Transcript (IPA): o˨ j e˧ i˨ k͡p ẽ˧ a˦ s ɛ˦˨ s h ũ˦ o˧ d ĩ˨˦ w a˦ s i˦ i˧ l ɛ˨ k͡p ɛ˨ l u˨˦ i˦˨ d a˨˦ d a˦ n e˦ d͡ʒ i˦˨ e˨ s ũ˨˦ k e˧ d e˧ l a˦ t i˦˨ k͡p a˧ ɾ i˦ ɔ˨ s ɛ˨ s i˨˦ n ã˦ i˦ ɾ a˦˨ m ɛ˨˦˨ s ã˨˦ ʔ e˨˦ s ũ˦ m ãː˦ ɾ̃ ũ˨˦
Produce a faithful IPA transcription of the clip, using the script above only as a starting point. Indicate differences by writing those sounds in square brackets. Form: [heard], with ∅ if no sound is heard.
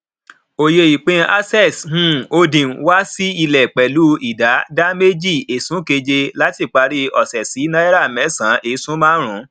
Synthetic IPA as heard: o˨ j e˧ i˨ k͡p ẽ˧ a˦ s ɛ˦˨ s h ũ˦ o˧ d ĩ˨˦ w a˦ s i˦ i˧ l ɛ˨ k͡p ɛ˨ l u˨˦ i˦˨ d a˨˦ d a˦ [m] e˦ d͡ʒ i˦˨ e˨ s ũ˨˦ k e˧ [d͡ʒ] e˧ l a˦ t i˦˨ k͡p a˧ ɾ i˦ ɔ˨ s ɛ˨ s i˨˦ n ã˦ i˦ ɾ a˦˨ m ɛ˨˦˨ s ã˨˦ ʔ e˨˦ s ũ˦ m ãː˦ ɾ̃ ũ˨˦